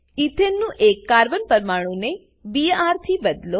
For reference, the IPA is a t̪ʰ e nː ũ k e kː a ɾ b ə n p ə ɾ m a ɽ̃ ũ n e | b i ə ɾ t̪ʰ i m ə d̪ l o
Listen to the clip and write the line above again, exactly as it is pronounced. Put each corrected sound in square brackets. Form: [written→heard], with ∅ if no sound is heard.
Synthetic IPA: [a→i] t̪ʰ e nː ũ [k→ʔ] e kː a ɾ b ə n p ə ɾ m a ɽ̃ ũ n e | b i [ə→a] ɾ t̪ʰ i [m→b] ə d̪ l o